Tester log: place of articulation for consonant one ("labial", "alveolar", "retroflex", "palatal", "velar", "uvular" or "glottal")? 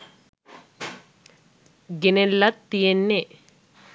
velar